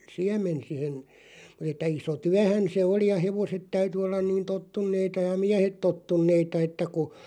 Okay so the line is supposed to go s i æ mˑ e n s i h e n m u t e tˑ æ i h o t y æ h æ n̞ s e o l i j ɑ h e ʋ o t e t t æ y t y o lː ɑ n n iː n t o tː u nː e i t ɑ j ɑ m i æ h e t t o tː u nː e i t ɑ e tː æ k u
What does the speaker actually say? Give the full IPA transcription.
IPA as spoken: s i æ mˑ e n s i h e n m u t e tˑ æ i s o t y æ h æ n̞ s e o l i j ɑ h e ʋ o s e t t æ y t y o lː ɑ n n iː n t o tː u nː e i t ɑ j ɑ m i æ h e t t o tː u nː e i t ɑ e tː æ k u